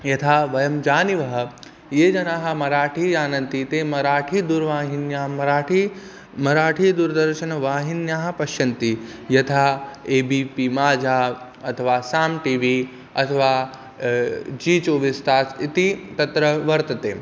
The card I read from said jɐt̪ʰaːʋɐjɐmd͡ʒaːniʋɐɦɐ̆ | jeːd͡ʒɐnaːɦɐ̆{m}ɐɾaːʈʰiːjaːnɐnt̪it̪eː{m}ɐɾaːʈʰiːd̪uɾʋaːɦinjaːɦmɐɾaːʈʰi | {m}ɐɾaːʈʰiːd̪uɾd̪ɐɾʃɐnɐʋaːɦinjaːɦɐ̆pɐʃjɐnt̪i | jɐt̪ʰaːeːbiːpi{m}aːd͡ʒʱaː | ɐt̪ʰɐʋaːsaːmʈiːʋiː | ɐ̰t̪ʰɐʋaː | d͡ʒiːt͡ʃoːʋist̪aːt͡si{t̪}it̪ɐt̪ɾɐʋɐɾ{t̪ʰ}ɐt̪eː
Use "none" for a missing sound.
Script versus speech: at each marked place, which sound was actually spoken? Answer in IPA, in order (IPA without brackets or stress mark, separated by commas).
m, m, m, m, t̪, t̪